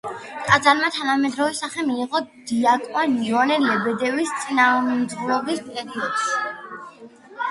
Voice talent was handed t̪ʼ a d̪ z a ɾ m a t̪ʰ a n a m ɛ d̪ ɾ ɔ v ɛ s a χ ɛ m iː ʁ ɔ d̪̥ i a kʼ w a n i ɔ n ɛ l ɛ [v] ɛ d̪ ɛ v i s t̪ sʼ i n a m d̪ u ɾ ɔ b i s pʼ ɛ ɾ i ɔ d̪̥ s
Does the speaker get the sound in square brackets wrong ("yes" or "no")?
yes